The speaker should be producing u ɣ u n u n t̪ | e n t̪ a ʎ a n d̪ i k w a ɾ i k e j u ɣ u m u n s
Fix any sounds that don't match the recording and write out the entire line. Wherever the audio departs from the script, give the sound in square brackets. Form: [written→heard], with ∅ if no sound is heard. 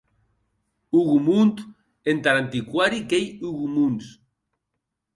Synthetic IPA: u ɣ u [n→m] u n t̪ | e n t̪ a [ʎ→ɾ] a n [d̪→t̪] i k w a ɾ i k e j u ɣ u m u n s